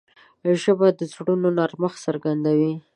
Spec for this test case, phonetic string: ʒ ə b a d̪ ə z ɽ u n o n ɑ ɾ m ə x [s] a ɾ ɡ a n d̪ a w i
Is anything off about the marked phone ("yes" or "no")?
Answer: no